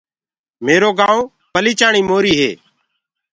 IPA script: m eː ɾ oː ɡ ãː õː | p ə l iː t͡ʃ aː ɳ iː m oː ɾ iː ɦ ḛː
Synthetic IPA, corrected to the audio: m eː ɾ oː ɡ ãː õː | p ə l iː t͡ʃ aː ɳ iː m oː ɾ iː ɦ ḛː